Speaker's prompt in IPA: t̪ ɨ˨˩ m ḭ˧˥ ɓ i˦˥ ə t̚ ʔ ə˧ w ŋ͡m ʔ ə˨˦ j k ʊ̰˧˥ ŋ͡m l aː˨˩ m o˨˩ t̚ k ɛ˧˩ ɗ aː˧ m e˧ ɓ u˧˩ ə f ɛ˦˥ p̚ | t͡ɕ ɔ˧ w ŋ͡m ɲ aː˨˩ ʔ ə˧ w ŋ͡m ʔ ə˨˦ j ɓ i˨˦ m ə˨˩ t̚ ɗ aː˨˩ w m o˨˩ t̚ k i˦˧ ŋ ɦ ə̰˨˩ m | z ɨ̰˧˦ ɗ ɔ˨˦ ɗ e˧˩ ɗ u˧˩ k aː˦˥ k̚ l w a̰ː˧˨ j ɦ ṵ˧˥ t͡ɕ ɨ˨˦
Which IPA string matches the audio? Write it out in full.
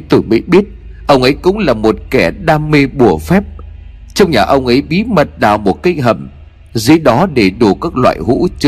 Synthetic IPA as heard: t̪ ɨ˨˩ m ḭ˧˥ ɓ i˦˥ ə t̚ ʔ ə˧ w ŋ͡m ʔ ə˨˦ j k ʊ̰˧˥ ŋ͡m l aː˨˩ m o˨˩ t̚ k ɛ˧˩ ɗ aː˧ m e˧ ɓ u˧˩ ə f ɛ˦˥ p̚ | t͡ɕ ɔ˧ w ŋ͡m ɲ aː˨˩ ʔ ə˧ w ŋ͡m ʔ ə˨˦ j ɓ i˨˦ m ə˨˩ t̚ ɗ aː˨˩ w m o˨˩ t̚ k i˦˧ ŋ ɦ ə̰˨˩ m | z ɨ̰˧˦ ɗ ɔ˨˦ ɗ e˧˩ ɗ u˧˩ k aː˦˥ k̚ l w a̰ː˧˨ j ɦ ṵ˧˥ t͡ɕ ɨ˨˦